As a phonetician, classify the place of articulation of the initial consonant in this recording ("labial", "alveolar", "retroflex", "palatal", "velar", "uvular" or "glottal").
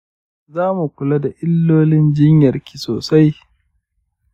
alveolar